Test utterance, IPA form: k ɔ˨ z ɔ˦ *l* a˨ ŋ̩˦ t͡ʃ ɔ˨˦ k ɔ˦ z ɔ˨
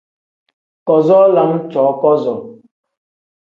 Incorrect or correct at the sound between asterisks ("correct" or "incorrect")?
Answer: correct